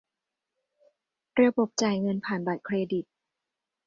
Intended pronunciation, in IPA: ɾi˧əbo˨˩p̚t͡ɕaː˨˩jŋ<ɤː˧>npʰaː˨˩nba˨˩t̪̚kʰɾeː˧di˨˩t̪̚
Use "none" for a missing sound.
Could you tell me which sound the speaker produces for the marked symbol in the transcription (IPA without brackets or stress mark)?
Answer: ɤ˧